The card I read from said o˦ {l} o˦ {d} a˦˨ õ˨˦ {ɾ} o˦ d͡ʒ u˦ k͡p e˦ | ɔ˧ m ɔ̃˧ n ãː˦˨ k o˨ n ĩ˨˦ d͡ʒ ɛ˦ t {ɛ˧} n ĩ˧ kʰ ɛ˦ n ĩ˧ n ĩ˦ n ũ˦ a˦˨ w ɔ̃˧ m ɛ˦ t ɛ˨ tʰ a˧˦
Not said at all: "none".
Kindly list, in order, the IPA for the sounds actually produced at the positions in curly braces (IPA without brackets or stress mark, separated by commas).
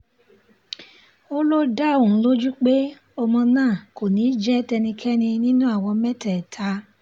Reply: l, d, l, ɛ˧